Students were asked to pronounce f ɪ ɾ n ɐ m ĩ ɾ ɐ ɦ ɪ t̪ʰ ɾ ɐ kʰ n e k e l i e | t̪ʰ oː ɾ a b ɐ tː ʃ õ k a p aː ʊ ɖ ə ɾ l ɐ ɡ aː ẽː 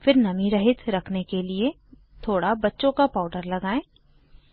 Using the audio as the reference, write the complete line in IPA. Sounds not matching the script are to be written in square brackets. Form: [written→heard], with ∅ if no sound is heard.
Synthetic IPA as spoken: f ɪ ɾ n ɐ m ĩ ɾ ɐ ɦ ɪ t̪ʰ ɾ ɐ kʰ n e k e l i e | t̪ʰ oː [ɾ→ɽ] a b ɐ tː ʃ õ k a p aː ʊ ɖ ə ɾ l ɐ ɡ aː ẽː